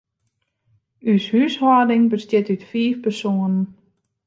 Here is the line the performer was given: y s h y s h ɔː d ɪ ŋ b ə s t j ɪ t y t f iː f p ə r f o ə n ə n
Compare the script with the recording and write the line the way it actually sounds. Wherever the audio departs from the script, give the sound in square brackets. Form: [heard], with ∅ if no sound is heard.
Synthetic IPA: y s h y s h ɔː d ɪ ŋ b ə s t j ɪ t y t f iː f p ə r [s] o ə n ə n